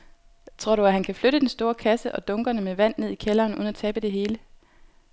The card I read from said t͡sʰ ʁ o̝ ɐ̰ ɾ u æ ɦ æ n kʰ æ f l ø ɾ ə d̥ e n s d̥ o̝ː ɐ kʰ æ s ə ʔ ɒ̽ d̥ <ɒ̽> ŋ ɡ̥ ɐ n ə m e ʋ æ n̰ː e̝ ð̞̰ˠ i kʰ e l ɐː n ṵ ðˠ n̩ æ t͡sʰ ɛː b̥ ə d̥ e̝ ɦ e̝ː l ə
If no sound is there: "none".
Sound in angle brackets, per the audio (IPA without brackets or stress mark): ɔ̽